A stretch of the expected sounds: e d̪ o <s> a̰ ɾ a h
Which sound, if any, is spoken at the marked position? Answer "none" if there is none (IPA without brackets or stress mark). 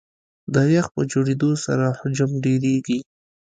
s